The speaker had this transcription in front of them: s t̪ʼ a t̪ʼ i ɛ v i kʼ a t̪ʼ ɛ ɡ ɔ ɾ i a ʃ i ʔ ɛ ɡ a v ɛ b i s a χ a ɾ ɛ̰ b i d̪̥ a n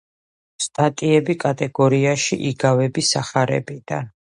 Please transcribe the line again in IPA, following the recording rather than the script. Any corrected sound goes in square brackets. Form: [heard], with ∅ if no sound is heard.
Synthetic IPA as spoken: s t̪ʼ a t̪ʼ i ɛ [b] i kʼ a t̪ʼ ɛ ɡ ɔ ɾ i a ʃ i ʔ [i] ɡ a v ɛ b i s a χ a ɾ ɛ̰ b i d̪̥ a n